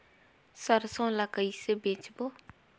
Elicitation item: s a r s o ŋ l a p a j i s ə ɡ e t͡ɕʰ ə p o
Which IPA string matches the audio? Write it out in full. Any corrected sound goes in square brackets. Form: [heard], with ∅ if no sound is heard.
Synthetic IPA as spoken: s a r s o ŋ l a [k] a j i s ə [b] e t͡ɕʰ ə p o